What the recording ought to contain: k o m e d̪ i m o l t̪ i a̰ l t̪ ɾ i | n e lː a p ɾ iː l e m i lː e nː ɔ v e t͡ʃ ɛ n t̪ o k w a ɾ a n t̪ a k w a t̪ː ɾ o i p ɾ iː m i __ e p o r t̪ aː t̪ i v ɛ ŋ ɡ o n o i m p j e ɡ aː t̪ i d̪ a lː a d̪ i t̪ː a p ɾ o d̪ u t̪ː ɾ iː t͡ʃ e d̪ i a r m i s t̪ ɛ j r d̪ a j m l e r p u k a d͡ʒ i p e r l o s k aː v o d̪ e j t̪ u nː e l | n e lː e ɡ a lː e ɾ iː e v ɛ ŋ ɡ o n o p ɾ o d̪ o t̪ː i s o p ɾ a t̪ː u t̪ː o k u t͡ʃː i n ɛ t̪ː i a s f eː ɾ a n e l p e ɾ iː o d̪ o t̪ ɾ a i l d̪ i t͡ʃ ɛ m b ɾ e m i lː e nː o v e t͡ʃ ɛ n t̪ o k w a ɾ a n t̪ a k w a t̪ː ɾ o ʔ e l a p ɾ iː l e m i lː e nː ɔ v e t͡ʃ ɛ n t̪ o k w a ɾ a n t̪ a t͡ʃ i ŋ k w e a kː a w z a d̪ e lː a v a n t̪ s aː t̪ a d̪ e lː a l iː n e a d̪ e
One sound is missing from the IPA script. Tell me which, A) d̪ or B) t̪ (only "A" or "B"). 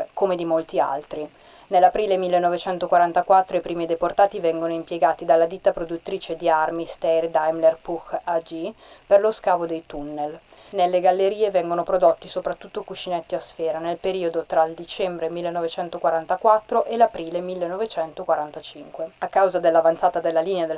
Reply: A